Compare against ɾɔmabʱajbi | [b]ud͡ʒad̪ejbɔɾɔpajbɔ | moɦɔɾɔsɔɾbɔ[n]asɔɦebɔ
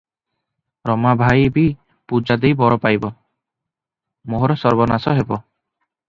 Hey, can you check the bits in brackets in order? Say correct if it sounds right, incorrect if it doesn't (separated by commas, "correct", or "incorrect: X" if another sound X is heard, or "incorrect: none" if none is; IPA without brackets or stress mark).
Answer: incorrect: p, correct